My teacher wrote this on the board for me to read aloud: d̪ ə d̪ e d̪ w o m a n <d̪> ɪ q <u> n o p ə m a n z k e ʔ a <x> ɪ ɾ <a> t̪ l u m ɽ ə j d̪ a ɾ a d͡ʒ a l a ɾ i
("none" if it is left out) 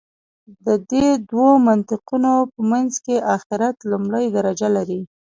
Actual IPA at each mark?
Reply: t̪, u, x, a

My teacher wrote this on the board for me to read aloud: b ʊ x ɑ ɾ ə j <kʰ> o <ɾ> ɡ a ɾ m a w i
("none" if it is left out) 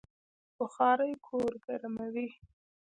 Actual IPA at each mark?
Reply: kʰ, ɾ

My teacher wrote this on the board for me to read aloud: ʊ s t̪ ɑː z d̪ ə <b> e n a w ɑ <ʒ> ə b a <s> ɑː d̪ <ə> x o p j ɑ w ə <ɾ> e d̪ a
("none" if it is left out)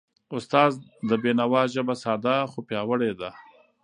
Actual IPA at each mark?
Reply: b, ʒ, s, a, ɽ

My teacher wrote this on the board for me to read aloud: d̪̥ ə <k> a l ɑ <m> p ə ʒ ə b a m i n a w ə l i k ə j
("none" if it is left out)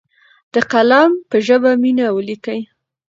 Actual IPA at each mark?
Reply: q, m

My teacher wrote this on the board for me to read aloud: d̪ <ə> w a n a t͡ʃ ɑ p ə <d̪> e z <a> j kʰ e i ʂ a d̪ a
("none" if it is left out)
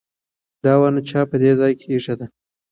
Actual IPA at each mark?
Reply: ɑ, d̪, ɑ

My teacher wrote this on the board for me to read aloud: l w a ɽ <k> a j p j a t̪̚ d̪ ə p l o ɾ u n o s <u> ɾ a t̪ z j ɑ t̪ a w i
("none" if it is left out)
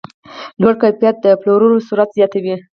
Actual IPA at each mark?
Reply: k, u

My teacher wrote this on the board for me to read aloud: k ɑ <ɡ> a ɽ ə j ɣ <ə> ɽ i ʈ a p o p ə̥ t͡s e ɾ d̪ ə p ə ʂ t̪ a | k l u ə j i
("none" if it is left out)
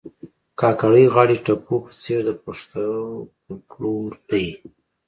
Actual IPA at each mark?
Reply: k, ɑ

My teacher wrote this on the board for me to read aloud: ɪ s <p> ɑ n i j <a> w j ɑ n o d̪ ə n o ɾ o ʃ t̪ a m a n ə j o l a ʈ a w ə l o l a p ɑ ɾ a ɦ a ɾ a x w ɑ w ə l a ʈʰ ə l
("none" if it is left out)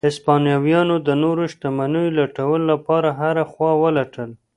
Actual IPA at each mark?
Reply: p, ɑ

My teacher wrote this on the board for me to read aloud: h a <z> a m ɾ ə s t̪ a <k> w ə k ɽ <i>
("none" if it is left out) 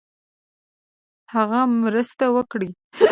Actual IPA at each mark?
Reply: ɣ, none, i

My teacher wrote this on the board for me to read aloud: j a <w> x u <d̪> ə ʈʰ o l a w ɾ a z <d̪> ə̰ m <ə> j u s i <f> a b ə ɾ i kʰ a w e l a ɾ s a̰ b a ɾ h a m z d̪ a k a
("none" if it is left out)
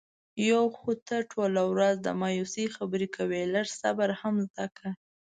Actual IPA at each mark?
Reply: w, t̪, d̪, ɑ, x

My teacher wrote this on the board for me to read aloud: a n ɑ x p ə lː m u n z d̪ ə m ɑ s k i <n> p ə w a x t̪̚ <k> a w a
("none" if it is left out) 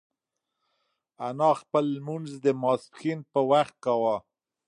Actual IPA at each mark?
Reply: n, k

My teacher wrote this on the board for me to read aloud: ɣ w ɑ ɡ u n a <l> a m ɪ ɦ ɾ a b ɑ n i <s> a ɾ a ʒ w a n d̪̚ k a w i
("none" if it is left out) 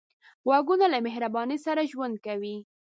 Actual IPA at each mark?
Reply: l, s

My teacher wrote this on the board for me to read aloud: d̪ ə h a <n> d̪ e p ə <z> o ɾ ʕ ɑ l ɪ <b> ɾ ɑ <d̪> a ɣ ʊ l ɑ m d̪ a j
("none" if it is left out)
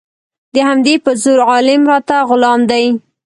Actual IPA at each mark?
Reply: m, z, m, t̪

